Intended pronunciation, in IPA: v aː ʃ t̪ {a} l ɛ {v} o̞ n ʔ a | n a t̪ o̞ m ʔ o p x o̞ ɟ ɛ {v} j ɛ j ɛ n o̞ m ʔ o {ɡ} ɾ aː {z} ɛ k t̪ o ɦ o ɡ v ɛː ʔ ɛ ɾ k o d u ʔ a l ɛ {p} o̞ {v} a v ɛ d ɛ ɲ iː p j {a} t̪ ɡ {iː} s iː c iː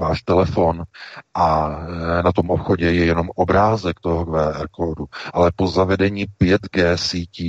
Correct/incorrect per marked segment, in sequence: incorrect: ɛ, incorrect: f, incorrect: none, incorrect: b, correct, correct, incorrect: z, incorrect: ɛ, incorrect: ɛː

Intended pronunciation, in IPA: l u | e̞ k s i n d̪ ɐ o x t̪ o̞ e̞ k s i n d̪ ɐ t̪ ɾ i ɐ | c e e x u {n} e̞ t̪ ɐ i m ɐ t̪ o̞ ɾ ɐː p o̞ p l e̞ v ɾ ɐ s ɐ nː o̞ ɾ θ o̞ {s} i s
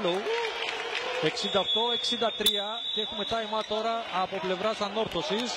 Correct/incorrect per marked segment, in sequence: incorrect: m, correct

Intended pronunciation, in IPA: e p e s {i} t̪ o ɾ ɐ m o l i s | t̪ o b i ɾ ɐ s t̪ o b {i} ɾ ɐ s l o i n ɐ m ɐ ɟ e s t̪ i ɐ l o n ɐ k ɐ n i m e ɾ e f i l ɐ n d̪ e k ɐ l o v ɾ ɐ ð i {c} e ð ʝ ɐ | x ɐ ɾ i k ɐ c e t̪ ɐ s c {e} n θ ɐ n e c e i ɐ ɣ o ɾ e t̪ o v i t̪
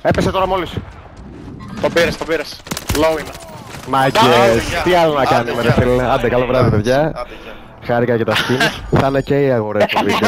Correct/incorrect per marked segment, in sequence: incorrect: e, correct, incorrect: p, incorrect: i

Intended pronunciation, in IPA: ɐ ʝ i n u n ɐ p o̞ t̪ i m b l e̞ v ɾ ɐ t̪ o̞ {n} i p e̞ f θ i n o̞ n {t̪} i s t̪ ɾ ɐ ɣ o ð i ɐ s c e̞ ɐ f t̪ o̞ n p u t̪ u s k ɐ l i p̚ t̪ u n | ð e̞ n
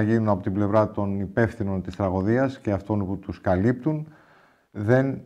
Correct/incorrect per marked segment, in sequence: correct, correct

